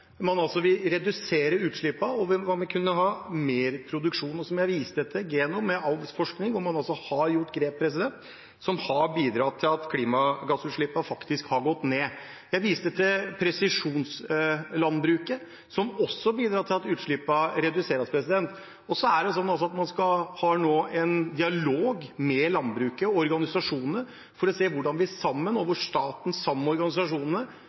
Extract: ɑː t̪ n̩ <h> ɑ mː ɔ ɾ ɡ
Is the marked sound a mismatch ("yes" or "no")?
yes